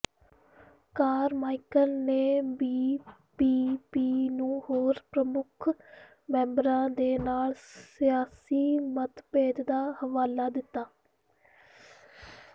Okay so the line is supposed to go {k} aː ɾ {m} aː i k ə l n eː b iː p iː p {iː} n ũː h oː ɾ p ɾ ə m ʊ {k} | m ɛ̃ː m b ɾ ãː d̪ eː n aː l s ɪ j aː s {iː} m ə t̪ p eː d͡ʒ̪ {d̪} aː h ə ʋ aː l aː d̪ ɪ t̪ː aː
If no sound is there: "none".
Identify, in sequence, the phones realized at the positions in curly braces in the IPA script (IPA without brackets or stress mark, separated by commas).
k, m, iː, kʰ, iː, d̪